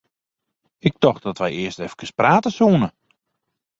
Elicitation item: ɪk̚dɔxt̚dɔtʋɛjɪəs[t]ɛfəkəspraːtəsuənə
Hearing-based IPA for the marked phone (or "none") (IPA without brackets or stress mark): t